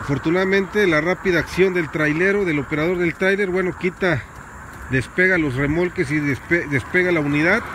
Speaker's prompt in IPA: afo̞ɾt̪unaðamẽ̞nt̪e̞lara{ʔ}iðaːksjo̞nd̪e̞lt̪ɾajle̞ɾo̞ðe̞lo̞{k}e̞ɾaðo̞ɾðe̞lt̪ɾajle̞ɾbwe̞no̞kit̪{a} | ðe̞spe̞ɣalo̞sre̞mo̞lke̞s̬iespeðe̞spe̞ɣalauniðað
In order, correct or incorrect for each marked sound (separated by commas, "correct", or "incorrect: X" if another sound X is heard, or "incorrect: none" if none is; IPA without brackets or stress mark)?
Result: incorrect: p, incorrect: p, correct